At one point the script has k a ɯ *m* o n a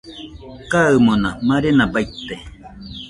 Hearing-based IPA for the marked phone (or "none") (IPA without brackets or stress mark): m